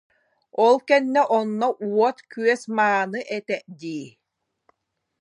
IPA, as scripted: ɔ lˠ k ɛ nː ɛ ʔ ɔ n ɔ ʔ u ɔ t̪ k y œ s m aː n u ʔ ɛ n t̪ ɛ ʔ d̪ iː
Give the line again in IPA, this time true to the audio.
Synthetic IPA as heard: ɔ lˠ k ɛ nː ɛ ʔ ɔ nː ɔ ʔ u ɔ t̪ k y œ s m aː n ɯ ʔ ɛ t̪ ɛ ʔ d̪ iː